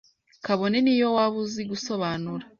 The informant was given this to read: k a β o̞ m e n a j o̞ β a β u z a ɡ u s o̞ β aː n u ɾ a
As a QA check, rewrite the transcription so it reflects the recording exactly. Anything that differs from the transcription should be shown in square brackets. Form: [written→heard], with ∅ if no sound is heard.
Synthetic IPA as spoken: k a β o̞ [m→n] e n [a→i] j o̞ [β→w] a β u z [a→i] ɡ u s o̞ β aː n u ɾ a